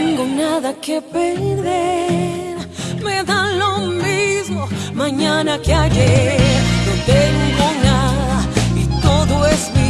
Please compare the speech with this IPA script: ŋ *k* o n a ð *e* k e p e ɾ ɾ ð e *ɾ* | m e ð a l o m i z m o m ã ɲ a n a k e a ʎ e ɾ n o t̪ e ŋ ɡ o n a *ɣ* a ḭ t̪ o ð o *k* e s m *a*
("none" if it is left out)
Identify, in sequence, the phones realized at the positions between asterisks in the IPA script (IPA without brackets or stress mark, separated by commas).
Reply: ɡ, a, ɾ, ð, none, i